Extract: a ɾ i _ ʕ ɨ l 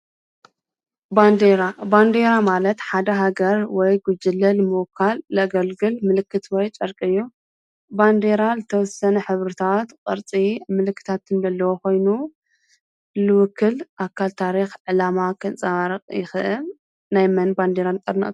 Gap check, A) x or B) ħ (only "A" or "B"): A